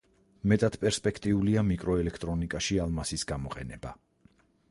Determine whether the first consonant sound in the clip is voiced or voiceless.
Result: voiced